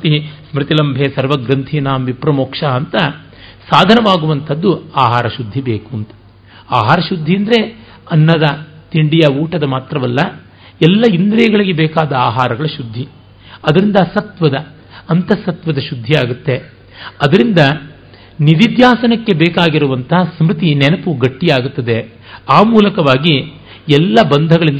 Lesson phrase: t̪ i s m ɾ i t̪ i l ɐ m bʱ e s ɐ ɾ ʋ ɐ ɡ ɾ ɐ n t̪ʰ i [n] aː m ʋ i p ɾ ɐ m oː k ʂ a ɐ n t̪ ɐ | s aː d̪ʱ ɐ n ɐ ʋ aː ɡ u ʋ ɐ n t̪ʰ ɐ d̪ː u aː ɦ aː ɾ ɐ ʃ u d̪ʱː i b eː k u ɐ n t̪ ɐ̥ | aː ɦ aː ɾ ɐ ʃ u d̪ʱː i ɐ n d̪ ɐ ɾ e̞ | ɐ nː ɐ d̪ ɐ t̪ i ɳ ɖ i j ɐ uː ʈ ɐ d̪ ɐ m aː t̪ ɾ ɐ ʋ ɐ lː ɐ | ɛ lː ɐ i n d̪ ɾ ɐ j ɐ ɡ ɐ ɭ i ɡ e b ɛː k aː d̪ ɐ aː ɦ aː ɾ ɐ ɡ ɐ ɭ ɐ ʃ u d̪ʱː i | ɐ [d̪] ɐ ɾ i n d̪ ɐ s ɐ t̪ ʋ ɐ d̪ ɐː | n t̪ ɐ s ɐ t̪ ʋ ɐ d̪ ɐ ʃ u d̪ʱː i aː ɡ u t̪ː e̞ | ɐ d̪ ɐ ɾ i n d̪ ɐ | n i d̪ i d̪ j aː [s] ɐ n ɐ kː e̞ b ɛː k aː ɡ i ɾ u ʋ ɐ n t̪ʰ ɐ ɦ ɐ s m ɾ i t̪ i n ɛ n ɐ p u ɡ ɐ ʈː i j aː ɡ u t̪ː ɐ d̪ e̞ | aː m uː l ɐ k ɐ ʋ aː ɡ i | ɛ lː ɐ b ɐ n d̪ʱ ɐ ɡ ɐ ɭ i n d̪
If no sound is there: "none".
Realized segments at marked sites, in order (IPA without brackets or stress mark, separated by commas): n, d̪, s